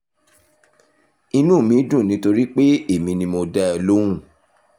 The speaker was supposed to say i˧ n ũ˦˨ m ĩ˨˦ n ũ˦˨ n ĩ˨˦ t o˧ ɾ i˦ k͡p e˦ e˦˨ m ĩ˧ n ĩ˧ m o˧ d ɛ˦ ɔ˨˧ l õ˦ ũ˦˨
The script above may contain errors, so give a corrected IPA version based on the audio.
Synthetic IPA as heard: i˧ n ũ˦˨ m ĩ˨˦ d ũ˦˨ n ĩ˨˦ t o˧ ɾ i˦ k͡p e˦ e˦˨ m ĩ˧ n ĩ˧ m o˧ d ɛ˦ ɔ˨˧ l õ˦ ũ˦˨